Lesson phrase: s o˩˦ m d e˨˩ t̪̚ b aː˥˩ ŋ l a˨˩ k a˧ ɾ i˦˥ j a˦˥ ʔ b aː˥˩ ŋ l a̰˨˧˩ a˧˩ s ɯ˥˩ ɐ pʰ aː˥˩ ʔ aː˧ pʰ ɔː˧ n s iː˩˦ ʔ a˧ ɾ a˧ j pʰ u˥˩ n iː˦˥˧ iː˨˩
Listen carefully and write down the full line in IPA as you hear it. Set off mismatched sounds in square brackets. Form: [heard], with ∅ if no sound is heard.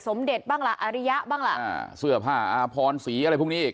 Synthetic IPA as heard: s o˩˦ m d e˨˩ t̪̚ b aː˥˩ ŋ l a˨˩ [ʔ] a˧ ɾ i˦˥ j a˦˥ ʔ b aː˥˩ ŋ l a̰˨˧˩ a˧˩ s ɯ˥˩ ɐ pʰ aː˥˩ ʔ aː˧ pʰ ɔː˧ n s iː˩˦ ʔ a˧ ɾ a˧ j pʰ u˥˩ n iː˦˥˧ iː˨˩